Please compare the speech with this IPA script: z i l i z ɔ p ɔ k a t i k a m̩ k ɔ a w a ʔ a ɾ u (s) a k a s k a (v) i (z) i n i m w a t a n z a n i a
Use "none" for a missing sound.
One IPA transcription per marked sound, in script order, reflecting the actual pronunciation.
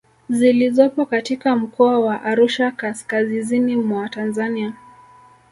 ʃ, z, z

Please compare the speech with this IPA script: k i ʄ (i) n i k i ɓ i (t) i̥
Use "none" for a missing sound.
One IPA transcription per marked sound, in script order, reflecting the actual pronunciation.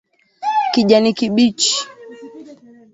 a, t͡ʃ

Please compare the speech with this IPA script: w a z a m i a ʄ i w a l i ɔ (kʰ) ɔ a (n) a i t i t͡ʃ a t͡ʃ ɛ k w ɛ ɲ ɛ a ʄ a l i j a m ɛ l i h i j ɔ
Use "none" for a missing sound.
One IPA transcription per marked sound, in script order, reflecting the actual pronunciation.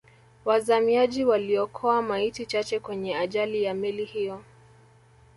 kʰ, m

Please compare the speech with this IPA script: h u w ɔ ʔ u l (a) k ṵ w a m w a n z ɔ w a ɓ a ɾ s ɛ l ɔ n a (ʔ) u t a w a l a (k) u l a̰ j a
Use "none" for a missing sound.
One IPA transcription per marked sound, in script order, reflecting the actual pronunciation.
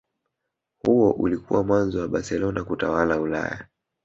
i, k, none

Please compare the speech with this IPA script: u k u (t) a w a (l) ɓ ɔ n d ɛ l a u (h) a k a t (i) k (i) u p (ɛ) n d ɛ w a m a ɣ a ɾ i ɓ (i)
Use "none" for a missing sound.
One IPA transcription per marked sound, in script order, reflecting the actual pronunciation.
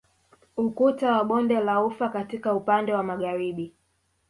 t, none, f, i, a, a, i

